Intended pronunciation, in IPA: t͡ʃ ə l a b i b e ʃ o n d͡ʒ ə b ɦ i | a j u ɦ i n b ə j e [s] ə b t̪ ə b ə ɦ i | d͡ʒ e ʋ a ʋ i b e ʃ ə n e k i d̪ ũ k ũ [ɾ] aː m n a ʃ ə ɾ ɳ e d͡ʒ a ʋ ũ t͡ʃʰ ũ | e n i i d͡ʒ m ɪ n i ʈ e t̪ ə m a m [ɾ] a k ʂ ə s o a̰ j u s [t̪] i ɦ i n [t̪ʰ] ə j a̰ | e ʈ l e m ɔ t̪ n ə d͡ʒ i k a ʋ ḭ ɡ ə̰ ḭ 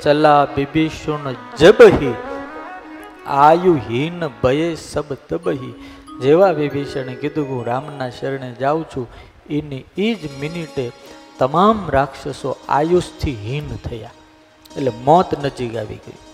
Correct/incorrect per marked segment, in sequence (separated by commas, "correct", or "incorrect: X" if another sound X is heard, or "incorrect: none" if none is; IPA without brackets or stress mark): correct, correct, correct, incorrect: t̪ʰ, correct